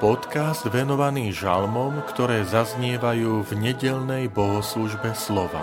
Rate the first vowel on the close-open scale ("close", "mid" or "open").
mid